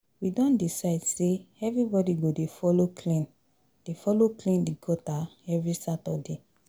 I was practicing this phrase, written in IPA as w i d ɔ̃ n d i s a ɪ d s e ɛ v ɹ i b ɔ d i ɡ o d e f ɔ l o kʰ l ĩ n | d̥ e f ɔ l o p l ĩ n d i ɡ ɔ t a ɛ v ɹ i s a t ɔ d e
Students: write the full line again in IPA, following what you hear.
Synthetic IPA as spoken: w i d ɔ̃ n d i s a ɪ d s e ɛ v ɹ i b ɔ d i ɡ o d e f ɔ l o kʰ l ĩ n | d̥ e f ɔ l o k l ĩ n d i ɡ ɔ t a ɛ v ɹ i s a t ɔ d e